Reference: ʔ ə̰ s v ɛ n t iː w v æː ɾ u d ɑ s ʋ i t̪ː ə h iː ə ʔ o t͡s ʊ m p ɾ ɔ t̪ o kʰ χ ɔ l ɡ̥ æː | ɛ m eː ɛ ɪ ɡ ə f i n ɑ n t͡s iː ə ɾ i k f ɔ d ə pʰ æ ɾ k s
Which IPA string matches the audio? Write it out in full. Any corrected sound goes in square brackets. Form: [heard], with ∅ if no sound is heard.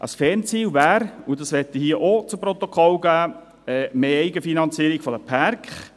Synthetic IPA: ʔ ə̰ s [f] ɛ n [t͡s] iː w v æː ɾ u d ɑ s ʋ [ɛ] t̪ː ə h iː ə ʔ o t͡s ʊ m p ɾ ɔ t̪ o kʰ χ ɔ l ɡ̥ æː | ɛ m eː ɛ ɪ ɡ ə f i n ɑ n t͡s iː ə ɾ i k f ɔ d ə pʰ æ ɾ k [χ]